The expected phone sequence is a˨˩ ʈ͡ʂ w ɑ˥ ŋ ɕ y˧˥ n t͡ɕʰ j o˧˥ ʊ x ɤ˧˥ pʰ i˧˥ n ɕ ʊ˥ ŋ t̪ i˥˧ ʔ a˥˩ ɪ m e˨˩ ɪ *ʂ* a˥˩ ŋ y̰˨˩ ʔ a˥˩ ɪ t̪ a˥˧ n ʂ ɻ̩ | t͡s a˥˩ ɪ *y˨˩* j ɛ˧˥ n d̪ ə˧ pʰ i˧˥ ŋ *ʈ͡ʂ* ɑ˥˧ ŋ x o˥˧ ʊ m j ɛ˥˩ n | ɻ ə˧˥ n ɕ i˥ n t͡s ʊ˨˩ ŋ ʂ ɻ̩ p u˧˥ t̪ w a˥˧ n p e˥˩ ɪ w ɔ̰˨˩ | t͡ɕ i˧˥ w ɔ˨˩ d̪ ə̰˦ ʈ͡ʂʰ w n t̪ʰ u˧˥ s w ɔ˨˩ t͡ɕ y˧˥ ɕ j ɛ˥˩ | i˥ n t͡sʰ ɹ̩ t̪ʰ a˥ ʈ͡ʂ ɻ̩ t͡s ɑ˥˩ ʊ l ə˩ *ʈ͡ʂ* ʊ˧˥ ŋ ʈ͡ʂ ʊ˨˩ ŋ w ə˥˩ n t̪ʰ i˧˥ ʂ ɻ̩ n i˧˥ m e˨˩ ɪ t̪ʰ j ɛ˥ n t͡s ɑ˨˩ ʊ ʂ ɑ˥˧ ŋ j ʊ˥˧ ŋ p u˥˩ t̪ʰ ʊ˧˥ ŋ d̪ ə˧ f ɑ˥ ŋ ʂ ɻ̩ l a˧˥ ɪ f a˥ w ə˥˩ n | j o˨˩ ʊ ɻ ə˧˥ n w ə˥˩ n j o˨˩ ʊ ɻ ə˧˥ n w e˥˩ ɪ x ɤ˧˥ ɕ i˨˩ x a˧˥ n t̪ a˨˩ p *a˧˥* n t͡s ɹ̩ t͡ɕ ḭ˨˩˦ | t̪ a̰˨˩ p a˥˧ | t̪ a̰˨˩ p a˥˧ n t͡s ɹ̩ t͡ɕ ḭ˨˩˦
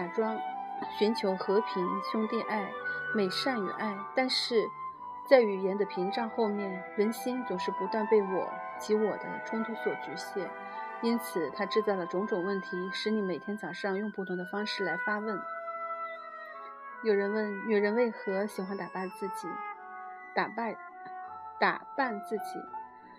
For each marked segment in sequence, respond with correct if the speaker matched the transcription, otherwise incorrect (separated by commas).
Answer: correct, correct, correct, correct, incorrect